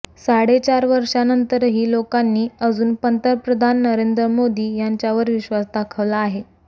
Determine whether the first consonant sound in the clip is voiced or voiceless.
voiceless